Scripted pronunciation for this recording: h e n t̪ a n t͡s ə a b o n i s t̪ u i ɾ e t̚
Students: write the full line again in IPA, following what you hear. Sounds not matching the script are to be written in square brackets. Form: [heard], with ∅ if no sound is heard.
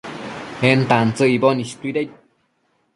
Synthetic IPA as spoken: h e n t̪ a n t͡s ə [i] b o n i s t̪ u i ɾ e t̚

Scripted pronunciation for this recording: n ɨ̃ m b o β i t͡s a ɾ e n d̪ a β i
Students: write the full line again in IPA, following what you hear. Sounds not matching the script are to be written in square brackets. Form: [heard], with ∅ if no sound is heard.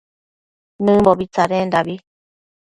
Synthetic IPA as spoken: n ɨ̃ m b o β i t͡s a ɾ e n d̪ a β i

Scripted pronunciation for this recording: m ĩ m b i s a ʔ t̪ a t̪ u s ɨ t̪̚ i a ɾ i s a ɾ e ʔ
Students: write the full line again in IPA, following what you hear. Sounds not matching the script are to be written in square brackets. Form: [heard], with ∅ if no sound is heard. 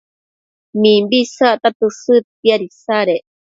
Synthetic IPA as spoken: m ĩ m b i s a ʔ t̪ a t̪ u s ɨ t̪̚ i a ɾ i s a ɾ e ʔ

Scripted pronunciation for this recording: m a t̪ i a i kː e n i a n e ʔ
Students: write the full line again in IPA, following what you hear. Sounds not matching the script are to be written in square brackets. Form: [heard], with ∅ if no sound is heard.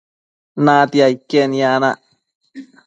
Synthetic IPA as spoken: [n] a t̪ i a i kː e n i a n [a] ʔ

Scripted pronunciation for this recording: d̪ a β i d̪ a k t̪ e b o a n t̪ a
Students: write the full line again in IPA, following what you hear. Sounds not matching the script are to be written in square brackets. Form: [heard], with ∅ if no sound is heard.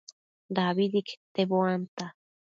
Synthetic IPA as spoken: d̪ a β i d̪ [i] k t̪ e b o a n t̪ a

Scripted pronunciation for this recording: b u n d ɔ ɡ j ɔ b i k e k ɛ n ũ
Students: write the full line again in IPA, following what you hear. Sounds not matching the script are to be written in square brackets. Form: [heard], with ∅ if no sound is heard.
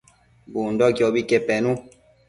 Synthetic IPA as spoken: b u n d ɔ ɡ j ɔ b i k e [p] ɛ n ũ

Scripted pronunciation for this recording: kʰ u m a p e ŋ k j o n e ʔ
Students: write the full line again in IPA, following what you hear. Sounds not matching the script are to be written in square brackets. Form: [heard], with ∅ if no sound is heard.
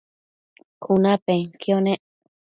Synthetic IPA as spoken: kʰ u [n] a p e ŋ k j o n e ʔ

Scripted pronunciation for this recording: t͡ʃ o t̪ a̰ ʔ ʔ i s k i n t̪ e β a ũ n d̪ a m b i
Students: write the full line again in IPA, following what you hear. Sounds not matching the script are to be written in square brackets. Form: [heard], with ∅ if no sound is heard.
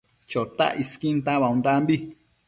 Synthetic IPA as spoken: t͡ʃ o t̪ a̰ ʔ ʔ i s k i n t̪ [a] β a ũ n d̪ a m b i

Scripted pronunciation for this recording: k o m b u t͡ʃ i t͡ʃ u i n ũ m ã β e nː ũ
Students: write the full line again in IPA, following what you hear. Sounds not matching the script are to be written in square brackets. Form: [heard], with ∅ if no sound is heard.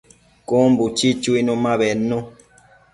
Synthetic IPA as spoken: k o m b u t͡ʃ i t͡ʃ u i n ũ m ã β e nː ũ

